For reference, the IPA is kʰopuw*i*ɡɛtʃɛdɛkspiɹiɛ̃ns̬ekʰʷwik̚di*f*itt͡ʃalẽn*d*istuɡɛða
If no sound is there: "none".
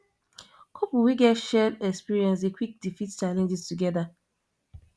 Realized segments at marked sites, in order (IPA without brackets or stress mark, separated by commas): i, f, d͡ʒ